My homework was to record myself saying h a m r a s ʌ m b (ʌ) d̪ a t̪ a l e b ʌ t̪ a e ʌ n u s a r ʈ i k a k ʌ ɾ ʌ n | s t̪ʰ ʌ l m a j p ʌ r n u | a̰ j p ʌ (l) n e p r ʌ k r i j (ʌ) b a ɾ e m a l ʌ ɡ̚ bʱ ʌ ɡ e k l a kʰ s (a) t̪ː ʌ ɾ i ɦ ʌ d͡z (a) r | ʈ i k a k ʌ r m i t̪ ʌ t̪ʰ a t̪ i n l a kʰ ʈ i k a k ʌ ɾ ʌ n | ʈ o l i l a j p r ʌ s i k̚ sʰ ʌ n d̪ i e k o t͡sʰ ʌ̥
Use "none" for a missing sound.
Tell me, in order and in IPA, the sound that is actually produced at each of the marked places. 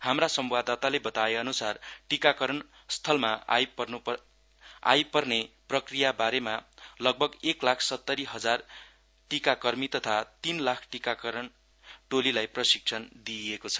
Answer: a, r, a, ʌ, a

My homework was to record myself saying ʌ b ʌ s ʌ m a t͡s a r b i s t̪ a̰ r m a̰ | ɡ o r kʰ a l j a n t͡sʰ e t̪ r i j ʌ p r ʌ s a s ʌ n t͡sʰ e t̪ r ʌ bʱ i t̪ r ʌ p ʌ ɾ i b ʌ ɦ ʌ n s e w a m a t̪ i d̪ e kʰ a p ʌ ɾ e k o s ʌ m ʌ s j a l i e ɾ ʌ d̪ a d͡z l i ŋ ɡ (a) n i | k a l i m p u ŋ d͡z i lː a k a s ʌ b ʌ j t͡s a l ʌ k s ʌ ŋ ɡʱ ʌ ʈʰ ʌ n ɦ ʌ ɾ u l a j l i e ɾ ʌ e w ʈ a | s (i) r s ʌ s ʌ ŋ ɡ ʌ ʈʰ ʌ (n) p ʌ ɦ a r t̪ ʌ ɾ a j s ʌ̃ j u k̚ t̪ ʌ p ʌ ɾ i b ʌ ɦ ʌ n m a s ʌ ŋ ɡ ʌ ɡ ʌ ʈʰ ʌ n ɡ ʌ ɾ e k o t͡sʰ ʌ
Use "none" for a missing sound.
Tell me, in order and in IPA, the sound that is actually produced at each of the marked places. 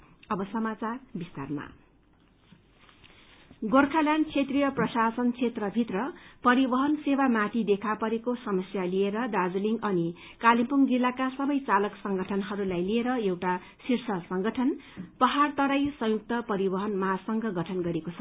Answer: ʌ, i, n

